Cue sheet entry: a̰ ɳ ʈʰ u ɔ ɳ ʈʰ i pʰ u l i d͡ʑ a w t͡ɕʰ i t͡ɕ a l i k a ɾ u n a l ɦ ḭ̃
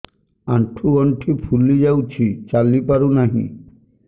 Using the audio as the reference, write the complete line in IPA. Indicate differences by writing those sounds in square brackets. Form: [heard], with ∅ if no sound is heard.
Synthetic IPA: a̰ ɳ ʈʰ u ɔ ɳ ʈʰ i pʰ u l i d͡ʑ a w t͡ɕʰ i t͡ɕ a l i [p] a ɾ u n a [∅] ɦ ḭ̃